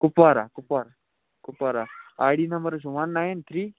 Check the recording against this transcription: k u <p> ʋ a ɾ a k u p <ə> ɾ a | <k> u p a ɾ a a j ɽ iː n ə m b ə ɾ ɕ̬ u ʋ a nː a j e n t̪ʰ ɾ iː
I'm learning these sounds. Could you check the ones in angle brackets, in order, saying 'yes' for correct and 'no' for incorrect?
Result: yes, no, yes

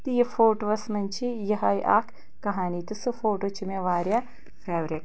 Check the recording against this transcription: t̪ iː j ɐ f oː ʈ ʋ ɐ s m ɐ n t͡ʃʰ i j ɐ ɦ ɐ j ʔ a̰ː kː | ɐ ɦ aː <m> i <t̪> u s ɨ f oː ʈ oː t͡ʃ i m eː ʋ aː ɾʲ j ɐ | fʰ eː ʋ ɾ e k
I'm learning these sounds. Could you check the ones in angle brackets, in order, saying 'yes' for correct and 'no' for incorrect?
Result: no, yes

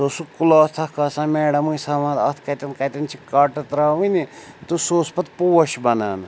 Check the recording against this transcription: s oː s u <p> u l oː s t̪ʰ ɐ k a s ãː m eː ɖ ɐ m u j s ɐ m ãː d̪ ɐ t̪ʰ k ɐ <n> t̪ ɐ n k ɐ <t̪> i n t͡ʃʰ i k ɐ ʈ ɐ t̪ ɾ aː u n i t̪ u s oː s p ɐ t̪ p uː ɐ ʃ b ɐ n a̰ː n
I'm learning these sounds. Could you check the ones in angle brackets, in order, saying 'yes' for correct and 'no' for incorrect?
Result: no, no, yes

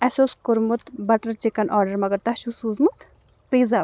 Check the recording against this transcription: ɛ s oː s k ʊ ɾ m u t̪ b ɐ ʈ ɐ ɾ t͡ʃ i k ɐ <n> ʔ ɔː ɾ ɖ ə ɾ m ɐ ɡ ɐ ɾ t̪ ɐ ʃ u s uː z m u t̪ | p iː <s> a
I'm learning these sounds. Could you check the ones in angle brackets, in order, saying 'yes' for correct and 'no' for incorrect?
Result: yes, no

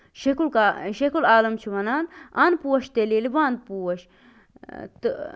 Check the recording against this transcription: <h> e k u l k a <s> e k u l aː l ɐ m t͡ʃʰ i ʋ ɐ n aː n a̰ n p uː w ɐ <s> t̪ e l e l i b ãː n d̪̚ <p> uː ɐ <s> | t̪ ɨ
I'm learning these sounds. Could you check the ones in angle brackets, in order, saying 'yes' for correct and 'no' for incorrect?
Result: no, no, no, yes, no

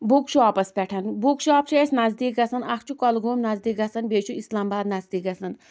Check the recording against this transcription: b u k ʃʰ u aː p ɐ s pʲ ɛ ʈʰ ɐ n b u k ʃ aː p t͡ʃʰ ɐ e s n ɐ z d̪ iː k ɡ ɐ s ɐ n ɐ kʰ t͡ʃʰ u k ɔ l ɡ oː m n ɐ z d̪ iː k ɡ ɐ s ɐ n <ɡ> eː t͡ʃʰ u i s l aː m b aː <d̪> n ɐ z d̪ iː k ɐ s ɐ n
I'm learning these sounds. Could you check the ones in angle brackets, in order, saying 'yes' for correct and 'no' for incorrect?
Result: no, yes

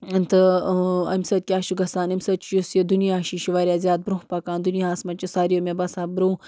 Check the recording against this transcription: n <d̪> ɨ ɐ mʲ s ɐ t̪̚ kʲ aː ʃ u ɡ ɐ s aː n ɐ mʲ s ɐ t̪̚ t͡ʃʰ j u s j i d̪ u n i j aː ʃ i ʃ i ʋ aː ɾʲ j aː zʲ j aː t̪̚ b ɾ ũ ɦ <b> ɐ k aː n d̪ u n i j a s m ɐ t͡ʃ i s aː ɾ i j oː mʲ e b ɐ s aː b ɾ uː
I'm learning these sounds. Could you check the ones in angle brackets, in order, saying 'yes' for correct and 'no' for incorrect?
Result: no, no

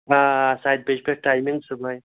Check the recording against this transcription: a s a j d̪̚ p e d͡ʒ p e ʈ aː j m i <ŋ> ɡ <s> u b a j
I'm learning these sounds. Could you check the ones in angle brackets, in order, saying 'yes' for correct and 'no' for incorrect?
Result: yes, yes

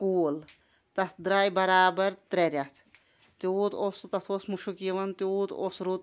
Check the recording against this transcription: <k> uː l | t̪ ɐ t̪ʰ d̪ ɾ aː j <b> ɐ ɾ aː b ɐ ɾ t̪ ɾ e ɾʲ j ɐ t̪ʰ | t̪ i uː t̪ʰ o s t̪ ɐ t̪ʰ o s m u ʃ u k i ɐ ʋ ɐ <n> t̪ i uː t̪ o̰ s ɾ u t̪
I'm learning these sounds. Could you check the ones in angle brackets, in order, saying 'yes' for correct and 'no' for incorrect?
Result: yes, yes, yes

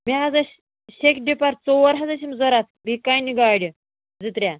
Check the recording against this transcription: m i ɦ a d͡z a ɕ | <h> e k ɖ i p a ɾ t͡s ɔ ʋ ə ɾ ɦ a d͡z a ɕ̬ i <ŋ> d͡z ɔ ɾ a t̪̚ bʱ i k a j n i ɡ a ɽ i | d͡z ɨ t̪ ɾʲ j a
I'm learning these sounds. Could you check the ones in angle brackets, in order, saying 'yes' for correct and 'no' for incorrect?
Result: no, no

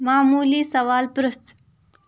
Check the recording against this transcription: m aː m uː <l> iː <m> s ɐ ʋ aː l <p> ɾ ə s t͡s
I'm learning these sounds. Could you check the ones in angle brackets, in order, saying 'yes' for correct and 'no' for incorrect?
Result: yes, no, yes

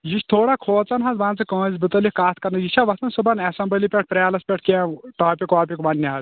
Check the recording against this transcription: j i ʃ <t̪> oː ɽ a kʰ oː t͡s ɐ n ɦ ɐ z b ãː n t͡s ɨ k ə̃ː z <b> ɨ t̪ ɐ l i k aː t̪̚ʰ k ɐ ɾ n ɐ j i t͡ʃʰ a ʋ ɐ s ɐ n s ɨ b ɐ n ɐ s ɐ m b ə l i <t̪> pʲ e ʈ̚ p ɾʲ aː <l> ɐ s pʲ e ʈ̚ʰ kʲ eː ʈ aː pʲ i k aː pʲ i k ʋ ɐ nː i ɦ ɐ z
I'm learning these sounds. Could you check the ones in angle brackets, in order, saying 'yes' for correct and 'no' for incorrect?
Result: no, yes, no, yes

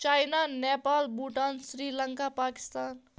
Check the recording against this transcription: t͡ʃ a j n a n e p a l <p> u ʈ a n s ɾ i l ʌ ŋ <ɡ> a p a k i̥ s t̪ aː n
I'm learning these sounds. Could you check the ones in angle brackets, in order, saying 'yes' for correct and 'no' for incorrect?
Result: no, no

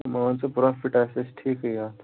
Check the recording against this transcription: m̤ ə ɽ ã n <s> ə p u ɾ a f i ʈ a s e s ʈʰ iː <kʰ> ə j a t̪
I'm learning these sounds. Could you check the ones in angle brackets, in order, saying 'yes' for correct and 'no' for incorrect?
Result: no, no

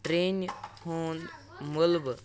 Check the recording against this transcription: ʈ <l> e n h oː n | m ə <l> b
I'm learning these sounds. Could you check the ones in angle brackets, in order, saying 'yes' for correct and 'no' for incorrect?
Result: no, yes

